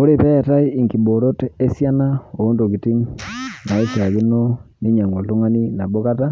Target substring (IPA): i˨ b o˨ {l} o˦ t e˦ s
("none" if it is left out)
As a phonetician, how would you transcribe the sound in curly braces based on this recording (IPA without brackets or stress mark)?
ɾ